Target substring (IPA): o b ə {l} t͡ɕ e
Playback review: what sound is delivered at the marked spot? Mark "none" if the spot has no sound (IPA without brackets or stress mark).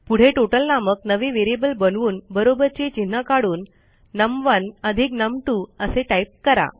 ɾ